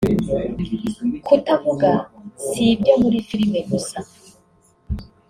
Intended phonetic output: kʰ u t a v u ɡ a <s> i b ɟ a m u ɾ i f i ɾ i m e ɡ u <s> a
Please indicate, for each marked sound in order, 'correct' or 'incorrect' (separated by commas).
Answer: correct, correct